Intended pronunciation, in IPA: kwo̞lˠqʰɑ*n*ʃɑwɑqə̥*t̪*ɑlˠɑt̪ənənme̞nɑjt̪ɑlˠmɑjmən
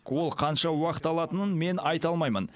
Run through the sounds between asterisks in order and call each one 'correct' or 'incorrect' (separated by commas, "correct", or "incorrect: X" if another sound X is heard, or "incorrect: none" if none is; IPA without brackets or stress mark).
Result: correct, correct